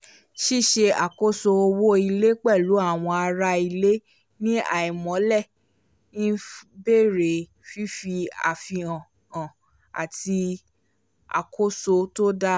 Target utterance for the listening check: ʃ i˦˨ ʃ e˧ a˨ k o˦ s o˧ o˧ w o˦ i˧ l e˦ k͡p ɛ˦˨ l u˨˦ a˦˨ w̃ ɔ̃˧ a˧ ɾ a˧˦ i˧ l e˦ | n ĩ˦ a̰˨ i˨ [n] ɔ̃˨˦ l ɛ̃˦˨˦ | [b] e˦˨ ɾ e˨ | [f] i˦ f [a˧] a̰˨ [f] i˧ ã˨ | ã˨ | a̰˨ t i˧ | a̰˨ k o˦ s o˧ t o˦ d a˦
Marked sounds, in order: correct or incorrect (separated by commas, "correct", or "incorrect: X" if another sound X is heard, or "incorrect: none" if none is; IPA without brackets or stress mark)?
incorrect: m, correct, correct, incorrect: i˧, correct